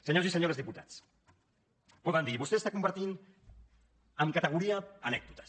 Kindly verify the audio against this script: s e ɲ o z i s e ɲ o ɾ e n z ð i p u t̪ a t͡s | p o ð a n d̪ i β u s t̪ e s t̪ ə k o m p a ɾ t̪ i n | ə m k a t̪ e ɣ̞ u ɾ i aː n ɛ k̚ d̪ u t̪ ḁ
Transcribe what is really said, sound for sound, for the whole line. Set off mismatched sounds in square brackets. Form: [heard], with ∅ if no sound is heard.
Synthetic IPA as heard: s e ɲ o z i s e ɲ o ɾ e [∅] z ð i p u t̪ a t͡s | p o ð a n d̪ i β u s t̪ e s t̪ [a] k [u] m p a ɾ t̪ i n | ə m k a t̪ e ɣ̞ u ɾ i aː n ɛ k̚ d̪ u t̪ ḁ